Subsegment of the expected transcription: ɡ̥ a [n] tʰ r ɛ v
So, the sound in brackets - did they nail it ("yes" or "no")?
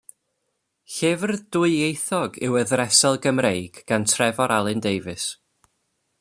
yes